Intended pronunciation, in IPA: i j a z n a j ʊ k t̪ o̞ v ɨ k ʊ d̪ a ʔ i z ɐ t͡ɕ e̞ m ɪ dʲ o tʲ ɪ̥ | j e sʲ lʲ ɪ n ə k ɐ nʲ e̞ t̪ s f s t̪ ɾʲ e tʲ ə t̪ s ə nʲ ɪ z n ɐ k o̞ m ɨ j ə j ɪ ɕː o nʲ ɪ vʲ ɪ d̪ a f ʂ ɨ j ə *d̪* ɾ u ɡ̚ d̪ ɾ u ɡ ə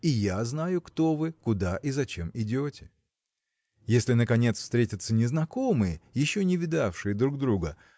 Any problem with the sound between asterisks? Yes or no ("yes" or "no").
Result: no